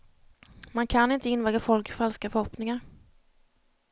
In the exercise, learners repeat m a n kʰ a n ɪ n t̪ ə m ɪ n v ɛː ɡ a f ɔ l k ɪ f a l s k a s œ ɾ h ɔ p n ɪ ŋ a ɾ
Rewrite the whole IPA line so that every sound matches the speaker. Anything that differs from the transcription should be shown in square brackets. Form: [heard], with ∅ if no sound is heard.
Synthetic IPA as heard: m a n kʰ a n ɪ n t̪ ə [∅] ɪ n v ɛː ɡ a f ɔ l k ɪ f a l s k a [f] œ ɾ h ɔ p n ɪ ŋ a ɾ